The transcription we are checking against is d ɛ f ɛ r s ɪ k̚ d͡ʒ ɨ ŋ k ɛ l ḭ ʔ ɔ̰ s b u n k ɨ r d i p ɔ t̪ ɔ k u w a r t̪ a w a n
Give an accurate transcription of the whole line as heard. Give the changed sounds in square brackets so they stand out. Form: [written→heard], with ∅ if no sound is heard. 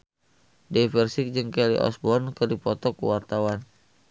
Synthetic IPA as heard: d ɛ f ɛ r s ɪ k̚ d͡ʒ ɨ ŋ k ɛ l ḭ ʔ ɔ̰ s b [u→ɔ] n k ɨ r d i p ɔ t̪ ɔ k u w a r t̪ a w a n